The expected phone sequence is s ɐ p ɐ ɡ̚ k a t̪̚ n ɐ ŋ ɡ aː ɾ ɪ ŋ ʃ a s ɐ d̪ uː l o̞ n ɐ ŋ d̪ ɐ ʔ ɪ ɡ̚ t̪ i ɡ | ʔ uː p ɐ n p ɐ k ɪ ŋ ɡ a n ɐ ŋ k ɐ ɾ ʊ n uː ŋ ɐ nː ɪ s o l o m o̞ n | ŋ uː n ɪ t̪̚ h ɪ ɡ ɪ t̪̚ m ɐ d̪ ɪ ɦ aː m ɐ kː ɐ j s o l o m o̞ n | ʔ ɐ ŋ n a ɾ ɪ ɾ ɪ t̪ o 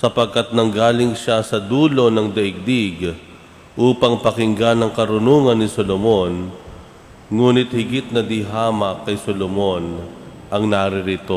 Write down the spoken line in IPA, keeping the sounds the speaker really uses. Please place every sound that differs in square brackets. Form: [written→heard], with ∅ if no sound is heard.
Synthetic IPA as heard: s ɐ p ɐ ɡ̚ k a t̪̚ n ɐ ŋ ɡ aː [ɾ→l] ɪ ŋ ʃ a s ɐ d̪ uː l o̞ n ɐ ŋ d̪ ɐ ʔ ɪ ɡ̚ [t̪→d̪] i ɡ | ʔ uː p ɐ [n→ŋ] p ɐ k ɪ ŋ ɡ a n ɐ ŋ k ɐ ɾ ʊ n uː ŋ ɐ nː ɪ s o l o m o̞ n | ŋ uː n ɪ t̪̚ h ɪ ɡ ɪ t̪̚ [m→n] ɐ d̪ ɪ ɦ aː m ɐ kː ɐ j s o l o m o̞ n | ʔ ɐ ŋ n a ɾ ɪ ɾ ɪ t̪ o